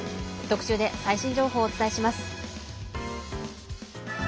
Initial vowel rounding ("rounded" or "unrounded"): rounded